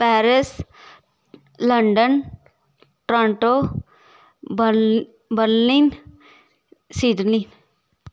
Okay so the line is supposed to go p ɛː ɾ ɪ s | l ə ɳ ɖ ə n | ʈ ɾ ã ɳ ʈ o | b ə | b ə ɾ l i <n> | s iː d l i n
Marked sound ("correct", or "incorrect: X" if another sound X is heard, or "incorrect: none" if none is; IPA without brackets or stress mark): correct